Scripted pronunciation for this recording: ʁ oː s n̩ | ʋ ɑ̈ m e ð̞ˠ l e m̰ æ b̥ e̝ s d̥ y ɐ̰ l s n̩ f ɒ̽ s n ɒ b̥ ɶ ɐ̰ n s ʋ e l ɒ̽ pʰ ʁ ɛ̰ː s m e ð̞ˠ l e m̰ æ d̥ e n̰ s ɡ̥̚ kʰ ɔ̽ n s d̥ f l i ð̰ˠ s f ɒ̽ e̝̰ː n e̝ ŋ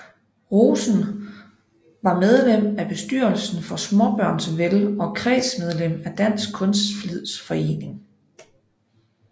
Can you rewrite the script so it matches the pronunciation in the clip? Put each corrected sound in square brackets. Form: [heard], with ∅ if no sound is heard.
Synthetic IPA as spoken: ʁ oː s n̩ | ʋ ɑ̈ m e ð̞ˠ l e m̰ æ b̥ e̝ s d̥ y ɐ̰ l s n̩ f ɒ̽ s [m] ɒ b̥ ɶ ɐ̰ n s ʋ e l ɒ̽ [kʰ] ʁ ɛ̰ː s m e ð̞ˠ l e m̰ æ d̥ [æ] n̰ s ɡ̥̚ kʰ ɔ̽ n s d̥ f l i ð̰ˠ s f ɒ̽ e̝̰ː n e̝ ŋ